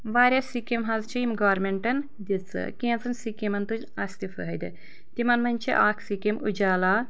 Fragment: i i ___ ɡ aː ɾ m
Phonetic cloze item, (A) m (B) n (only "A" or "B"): A